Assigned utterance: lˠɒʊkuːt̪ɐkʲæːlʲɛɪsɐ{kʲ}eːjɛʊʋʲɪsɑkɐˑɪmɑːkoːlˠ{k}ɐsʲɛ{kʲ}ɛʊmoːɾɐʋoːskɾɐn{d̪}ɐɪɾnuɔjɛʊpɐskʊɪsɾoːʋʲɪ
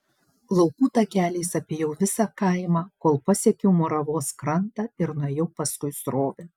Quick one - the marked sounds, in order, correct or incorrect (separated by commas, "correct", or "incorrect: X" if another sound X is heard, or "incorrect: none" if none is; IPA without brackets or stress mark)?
incorrect: pʲ, incorrect: p, correct, incorrect: t̪